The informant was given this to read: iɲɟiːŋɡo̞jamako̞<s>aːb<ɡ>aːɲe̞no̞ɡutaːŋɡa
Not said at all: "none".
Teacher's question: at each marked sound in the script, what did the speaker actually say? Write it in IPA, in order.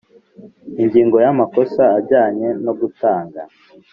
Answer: s, ɟ

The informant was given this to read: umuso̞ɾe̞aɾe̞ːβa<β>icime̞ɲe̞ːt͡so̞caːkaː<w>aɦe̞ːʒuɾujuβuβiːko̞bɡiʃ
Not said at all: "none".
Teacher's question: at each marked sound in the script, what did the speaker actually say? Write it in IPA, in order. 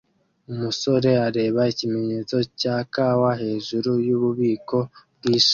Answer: none, w

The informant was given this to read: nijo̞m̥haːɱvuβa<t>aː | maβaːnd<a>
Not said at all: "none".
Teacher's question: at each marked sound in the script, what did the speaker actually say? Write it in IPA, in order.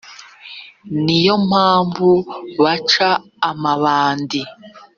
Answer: t͡ʃ, i

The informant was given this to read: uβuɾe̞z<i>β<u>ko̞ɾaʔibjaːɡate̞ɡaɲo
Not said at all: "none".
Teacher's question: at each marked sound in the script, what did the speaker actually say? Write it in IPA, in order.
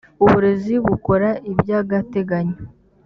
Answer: i, u

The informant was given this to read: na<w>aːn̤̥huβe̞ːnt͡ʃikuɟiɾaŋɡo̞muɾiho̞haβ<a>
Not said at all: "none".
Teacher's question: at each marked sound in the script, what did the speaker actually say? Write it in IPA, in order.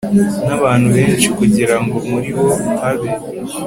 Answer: β, e

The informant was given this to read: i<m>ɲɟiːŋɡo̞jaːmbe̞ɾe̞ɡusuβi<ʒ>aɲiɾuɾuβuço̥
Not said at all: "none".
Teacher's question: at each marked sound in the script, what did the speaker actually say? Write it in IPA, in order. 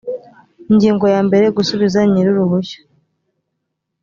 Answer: none, z

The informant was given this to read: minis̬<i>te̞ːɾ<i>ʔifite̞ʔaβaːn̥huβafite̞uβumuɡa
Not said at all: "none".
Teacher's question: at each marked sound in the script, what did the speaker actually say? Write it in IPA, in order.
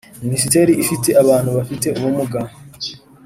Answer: i, i

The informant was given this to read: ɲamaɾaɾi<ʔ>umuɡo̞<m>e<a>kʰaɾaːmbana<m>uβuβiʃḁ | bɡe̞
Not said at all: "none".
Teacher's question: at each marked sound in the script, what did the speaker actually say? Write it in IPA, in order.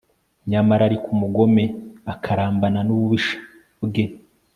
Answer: k, m, a, n

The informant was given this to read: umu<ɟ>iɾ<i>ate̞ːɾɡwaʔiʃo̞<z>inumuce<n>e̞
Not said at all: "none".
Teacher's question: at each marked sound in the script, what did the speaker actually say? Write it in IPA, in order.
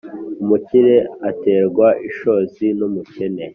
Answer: c, e, z, n

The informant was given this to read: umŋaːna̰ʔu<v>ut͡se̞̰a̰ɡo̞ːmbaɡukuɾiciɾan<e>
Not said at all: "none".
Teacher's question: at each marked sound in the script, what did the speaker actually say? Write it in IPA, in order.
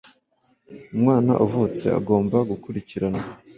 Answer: v, a

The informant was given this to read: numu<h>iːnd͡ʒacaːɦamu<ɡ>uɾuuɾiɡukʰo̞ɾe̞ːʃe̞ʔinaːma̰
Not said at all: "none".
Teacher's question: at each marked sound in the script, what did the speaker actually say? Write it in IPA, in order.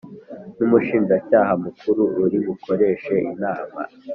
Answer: ʃ, k

